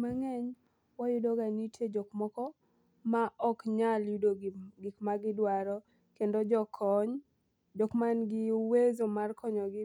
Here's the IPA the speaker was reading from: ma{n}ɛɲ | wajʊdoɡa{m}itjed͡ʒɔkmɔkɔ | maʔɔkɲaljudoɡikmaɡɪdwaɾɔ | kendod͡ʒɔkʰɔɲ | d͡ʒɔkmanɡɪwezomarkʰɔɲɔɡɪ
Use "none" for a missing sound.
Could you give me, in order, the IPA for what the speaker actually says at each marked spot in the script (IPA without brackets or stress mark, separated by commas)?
ŋ, n